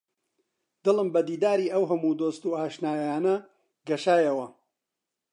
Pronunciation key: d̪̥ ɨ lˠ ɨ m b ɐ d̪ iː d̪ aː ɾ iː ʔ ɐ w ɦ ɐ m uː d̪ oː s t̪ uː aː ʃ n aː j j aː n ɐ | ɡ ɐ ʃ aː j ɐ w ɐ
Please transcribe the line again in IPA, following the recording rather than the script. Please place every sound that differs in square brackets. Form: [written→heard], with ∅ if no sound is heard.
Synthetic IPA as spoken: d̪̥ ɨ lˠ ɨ m b ɐ d̪ iː d̪ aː ɾ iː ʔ ɐ w ɦ ɐ m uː d̪ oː s t̪ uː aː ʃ n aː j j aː n ɐ | ɡ ɐ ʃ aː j ɐ w ɐ